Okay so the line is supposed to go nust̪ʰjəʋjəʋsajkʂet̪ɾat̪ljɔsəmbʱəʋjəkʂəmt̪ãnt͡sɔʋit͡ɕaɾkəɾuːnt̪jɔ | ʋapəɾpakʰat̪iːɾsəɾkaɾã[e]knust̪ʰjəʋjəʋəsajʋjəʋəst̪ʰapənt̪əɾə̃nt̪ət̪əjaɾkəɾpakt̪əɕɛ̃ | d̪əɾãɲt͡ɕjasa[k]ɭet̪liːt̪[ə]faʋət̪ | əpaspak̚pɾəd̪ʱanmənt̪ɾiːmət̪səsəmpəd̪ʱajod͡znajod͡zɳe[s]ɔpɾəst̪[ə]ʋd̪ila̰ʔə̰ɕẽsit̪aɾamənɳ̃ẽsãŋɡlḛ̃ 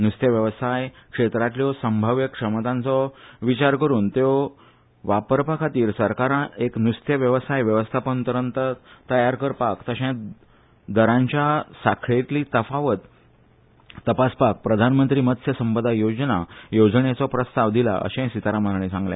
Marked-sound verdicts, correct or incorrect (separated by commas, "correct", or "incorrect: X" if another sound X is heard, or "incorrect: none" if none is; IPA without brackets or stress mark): correct, incorrect: kʰ, correct, incorrect: t͡s, incorrect: a